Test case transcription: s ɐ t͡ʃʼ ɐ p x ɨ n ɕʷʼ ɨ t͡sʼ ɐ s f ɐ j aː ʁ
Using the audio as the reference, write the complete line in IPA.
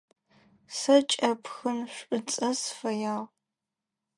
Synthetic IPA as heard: s ɐ t͡ʃʼ ɐ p x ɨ n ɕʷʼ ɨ t͡sʼ ɐ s f ɐ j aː ʁ